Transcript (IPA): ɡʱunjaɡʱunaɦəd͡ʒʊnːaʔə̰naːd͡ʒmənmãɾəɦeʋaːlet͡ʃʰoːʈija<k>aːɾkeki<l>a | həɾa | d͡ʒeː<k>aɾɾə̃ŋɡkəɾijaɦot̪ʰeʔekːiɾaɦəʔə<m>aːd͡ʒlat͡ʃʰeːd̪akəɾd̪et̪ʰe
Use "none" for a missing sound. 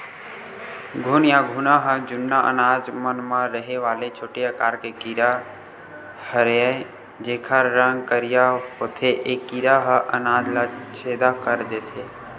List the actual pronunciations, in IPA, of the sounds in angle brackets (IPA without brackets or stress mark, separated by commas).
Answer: k, ɾ, kʰ, n